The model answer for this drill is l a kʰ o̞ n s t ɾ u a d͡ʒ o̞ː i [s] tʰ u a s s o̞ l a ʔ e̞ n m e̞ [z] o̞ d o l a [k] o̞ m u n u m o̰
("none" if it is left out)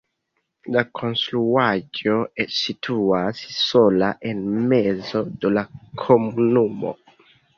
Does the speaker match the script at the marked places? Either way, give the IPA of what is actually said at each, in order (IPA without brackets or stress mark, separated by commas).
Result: none, z, kʰ